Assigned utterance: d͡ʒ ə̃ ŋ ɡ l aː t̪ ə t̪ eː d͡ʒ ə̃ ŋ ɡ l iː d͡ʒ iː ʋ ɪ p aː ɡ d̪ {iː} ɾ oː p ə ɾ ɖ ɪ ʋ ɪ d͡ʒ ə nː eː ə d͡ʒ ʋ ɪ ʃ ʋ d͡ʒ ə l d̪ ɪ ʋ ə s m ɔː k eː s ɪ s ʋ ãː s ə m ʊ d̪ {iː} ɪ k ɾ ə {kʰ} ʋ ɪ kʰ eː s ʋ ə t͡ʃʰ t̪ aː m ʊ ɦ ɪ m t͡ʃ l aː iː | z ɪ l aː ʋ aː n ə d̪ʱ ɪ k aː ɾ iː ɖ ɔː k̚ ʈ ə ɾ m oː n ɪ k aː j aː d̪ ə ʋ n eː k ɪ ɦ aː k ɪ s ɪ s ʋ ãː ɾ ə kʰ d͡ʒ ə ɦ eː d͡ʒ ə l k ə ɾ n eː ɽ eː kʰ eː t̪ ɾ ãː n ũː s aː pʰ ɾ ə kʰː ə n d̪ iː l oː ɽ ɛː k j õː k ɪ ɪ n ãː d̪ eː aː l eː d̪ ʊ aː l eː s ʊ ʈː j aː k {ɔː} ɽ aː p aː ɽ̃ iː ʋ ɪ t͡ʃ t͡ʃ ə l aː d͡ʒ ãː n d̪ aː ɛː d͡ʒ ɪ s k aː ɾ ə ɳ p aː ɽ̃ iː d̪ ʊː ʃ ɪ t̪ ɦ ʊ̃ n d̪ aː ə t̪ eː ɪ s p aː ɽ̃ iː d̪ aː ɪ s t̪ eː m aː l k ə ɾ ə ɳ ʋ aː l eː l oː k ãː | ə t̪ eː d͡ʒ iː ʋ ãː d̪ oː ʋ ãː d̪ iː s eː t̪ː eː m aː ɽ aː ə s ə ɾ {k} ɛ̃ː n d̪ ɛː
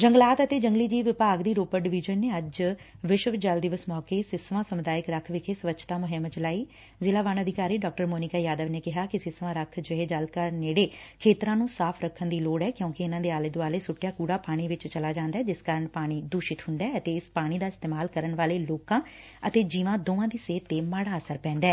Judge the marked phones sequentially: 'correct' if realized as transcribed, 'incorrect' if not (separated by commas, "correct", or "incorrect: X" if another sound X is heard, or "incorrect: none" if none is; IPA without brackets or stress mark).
correct, incorrect: aː, correct, incorrect: uː, incorrect: p